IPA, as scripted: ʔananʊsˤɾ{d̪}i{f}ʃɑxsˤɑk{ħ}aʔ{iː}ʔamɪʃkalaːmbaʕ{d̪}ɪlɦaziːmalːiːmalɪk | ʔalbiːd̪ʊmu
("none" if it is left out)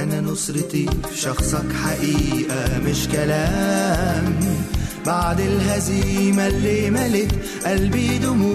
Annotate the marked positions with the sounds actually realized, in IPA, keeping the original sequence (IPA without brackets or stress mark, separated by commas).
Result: t̪, f, ħ, iː, d̪